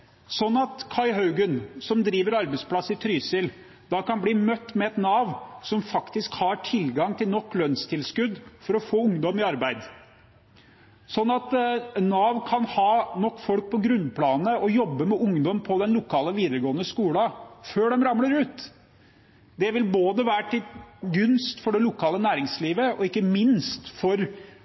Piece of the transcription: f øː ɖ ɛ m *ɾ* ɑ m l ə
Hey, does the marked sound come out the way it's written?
yes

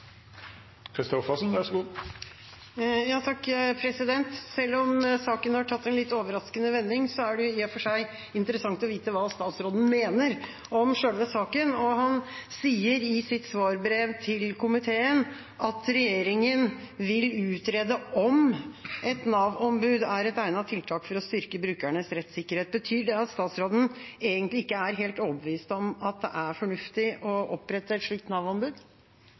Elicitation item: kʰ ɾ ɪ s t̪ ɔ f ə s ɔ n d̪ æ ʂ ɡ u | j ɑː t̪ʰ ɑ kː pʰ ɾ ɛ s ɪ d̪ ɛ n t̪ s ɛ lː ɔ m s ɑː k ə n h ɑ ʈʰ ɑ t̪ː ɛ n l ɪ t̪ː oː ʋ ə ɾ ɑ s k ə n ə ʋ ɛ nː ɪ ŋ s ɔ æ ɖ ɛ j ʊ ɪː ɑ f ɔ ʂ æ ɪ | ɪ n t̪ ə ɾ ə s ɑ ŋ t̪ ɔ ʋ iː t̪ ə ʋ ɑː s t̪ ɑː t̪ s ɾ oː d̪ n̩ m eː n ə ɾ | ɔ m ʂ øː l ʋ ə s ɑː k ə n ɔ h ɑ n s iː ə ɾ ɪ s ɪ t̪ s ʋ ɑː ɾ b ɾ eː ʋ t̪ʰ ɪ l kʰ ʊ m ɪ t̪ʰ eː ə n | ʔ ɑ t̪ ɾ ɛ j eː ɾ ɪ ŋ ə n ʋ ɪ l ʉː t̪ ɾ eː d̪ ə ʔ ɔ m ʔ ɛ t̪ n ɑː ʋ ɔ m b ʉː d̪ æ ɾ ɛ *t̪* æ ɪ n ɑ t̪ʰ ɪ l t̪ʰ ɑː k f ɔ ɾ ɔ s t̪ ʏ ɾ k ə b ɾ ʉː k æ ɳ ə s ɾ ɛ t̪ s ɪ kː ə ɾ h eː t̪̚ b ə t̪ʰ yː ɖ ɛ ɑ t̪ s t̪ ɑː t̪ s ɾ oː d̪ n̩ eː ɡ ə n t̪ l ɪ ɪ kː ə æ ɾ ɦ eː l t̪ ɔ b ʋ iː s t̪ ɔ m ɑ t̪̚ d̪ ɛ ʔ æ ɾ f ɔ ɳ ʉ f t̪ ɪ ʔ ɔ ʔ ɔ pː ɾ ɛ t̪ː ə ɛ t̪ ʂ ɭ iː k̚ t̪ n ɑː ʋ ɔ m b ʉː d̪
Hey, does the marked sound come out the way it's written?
yes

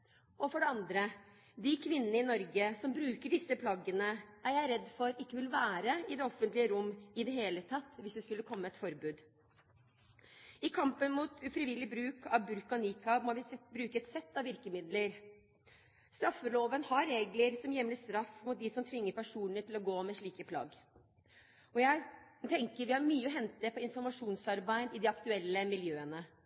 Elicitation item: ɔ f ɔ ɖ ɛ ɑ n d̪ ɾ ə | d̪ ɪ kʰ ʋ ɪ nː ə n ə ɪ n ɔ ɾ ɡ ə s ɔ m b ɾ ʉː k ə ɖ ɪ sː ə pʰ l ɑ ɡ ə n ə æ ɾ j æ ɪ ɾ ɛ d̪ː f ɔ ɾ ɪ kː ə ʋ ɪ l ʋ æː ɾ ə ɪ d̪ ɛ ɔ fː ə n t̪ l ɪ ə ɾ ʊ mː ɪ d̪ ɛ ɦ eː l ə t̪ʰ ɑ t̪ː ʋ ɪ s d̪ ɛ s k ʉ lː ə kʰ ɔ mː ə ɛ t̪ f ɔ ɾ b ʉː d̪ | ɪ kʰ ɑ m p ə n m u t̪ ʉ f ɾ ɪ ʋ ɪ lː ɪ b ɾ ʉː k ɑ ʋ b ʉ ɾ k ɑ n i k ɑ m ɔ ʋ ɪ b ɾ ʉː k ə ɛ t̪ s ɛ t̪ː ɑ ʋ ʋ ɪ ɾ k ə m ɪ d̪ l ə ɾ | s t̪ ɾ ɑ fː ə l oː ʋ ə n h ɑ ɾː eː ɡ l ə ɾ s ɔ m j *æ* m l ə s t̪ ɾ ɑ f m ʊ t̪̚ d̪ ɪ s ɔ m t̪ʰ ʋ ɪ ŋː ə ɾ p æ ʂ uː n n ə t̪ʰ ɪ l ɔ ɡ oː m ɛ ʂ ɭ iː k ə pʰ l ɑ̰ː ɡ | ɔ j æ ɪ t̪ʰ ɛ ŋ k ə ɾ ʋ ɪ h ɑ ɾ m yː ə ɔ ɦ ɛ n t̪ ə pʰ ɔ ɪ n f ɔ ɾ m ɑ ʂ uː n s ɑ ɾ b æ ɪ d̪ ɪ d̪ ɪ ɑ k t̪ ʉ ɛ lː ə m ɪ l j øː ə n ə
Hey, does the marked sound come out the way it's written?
no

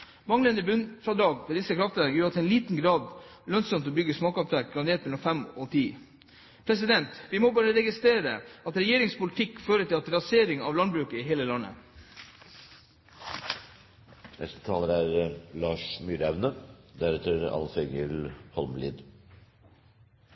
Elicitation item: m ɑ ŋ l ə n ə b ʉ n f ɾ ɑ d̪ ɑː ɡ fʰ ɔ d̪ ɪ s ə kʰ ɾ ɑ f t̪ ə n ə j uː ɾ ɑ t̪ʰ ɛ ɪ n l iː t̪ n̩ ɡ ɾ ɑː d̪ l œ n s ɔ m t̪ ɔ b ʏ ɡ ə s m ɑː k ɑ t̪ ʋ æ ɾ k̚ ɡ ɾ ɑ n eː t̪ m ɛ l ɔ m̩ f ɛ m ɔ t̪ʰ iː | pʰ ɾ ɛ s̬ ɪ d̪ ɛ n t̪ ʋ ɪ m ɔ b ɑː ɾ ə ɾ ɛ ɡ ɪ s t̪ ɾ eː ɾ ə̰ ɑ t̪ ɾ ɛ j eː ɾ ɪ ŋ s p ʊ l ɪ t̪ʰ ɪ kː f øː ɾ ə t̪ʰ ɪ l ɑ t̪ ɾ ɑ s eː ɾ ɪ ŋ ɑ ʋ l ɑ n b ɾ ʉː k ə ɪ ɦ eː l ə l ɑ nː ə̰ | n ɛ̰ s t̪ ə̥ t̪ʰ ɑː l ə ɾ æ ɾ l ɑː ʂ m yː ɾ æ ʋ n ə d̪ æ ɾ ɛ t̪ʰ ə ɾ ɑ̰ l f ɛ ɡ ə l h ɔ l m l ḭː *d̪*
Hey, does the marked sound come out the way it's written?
yes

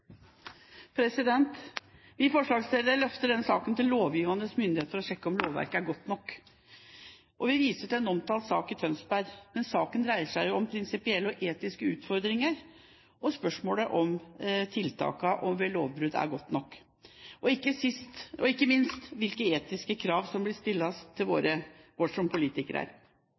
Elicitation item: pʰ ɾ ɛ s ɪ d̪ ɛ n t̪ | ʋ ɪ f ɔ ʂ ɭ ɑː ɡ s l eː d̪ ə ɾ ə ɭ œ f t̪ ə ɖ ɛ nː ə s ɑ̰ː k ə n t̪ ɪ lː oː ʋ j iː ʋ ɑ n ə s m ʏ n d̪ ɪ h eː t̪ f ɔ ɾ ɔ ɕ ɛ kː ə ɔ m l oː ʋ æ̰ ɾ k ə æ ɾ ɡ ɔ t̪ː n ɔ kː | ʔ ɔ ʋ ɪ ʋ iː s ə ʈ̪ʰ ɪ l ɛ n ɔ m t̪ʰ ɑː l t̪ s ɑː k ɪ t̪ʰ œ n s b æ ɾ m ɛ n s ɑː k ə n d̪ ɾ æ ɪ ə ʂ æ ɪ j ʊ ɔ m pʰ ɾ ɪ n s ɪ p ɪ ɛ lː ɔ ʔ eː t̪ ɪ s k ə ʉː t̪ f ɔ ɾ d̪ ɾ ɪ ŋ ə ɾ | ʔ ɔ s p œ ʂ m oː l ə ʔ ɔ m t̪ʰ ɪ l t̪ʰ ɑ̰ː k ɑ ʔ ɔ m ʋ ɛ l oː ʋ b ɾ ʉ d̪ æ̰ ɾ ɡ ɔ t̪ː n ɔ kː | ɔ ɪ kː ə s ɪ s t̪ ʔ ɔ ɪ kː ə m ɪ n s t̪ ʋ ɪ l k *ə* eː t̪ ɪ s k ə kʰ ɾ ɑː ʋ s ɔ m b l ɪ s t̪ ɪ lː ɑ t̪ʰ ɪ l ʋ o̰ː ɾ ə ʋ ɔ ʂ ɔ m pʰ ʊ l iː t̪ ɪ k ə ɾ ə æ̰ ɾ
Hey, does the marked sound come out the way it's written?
yes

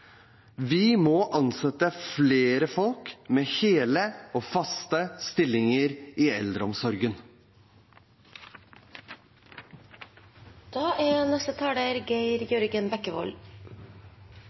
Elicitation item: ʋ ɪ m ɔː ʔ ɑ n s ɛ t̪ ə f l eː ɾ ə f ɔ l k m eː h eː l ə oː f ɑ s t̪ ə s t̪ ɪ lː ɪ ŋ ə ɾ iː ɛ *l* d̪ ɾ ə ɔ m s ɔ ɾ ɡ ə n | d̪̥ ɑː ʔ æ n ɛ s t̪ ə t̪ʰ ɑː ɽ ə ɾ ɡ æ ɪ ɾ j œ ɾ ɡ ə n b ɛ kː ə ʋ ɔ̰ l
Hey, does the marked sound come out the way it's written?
yes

